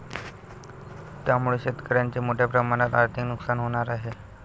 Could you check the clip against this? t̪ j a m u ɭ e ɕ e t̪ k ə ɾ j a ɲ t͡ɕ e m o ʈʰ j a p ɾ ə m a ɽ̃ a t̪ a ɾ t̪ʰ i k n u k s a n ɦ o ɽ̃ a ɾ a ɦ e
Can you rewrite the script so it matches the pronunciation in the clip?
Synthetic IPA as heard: t̪ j a m u ɭ e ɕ e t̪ k ə ɾ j a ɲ t͡ɕ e m o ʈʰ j a p ɾ ə m a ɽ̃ a t̪ a ɾ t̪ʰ i k n u k s a n ɦ o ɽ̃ a ɾ a ɦ e